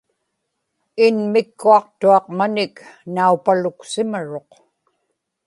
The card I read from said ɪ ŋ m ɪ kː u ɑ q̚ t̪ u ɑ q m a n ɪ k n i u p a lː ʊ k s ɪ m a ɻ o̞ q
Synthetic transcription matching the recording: ɪ n m ɪ kː u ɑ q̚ t̪ u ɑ q m a n ɪ k n a u p a l ʊ k s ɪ m a ɻ o̞ q